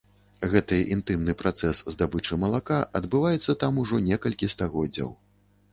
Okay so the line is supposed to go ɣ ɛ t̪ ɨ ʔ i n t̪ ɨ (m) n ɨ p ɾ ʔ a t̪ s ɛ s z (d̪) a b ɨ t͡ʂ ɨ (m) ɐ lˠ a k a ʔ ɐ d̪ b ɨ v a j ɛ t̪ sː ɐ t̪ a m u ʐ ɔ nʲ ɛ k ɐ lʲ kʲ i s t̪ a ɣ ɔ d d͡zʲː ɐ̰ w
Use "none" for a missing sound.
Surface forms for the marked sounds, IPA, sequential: m, d̪, m

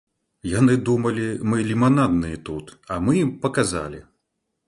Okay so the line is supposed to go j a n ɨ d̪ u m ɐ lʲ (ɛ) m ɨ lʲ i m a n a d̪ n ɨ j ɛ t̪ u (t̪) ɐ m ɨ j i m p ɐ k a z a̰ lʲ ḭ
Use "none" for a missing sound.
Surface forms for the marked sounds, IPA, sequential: i, t̪

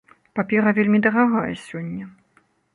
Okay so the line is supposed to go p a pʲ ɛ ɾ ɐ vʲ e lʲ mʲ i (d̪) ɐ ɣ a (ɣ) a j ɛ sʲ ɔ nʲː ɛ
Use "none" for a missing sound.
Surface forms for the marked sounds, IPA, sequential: d̪, ɣ

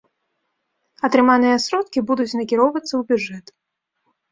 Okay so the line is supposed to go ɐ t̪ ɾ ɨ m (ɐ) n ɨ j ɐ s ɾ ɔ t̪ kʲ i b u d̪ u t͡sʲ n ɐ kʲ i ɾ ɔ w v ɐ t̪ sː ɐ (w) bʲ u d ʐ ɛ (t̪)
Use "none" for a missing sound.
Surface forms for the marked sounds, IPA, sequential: a, w, t̪

